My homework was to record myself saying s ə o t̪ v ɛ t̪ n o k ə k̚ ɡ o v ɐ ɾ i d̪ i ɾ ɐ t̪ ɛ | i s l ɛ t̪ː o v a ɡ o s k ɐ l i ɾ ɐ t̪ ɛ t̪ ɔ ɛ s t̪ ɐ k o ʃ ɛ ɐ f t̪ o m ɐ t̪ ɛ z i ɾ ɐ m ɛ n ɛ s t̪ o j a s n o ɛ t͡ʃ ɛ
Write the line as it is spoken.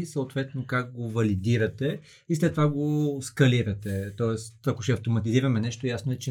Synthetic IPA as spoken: s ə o t̪ v ɛ t̪ n o k a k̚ ɡ o v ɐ l i d̪ i ɾ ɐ t̪ ɛ | i s l ɛ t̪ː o v a ɡ o s k ɐ l i ɾ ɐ t̪ ɛ t̪ ɔ ɛ s t̪ ɐ k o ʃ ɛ ɐ f t̪ o m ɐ t̪ i z i ɾ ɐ m ɛ n ɛ ʃ t̪ o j a s n o ɛ t͡ʃ ɛ